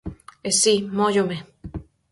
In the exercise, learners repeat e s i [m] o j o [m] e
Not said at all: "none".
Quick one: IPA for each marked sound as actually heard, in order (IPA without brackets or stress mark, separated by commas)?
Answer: m, m